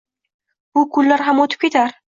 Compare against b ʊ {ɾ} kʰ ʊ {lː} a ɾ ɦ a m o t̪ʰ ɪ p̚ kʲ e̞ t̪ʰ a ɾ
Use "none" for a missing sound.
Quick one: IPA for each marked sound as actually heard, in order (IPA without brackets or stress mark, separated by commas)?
none, lː